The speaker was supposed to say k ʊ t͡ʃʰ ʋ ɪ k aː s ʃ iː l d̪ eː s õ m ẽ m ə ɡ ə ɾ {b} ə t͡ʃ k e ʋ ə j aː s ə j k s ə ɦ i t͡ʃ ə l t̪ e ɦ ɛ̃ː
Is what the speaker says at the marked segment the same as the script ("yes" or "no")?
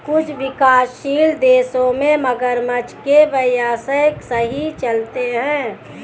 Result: no